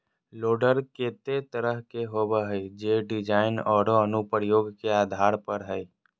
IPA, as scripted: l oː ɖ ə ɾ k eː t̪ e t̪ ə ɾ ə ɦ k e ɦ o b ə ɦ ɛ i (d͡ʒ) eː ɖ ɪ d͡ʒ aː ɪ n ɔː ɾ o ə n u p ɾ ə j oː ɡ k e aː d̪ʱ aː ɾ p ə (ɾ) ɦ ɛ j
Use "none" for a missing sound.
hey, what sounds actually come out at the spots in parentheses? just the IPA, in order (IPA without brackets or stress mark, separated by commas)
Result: d͡ʒ, ɾ